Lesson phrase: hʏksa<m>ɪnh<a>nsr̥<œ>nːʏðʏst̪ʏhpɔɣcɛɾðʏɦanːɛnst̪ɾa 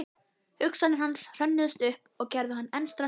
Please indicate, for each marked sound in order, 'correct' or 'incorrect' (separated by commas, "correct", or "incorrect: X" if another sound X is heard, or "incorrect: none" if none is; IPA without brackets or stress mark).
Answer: incorrect: n, correct, correct